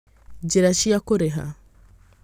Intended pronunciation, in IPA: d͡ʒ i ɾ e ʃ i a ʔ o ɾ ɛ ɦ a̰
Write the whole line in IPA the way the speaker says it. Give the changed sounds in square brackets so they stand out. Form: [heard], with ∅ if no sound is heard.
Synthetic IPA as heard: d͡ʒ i ɾ [a] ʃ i a [k] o ɾ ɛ ɦ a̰